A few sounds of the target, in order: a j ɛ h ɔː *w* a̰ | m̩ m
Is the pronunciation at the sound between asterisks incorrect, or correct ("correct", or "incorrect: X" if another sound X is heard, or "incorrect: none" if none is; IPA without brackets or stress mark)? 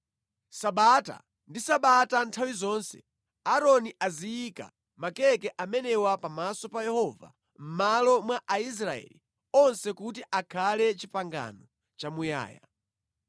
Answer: incorrect: v